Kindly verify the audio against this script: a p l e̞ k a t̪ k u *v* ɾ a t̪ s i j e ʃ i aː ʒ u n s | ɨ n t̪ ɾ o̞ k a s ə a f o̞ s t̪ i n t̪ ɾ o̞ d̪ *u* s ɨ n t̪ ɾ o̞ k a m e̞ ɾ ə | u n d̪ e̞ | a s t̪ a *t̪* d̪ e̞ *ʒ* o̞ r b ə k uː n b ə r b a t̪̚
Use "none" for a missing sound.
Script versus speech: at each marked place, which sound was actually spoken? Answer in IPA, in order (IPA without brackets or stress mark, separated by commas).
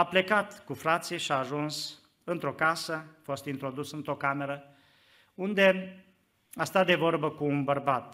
f, u, t̪, v